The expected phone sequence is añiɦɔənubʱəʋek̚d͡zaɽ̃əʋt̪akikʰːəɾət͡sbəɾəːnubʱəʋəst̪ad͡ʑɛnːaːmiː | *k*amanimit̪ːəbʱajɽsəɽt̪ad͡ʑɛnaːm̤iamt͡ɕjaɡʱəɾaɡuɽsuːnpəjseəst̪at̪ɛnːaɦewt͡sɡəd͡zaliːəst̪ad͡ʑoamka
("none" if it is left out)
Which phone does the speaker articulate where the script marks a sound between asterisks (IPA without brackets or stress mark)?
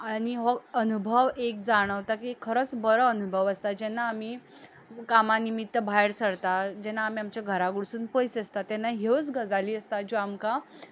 k